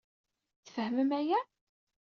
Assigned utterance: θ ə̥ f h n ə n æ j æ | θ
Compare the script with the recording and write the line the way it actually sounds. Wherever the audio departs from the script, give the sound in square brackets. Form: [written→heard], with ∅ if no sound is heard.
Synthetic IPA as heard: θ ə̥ f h [n→m] ə [n→m] æ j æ | θ